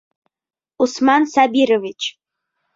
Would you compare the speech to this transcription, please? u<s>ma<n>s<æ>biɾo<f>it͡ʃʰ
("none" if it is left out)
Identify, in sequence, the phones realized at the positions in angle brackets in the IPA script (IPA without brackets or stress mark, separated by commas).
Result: s, n, a, v